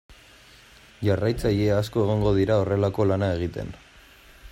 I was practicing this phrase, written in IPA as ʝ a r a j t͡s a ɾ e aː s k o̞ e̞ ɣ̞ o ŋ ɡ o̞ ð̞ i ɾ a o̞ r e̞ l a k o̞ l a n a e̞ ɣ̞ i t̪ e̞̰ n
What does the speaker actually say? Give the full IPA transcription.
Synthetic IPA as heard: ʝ a r a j t͡s a ʎ e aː s k o̞ e̞ ɣ̞ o ŋ ɡ o̞ ð̞ i ɾ a o̞ r e̞ l a k o̞ l a n a e̞ ɣ̞ i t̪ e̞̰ n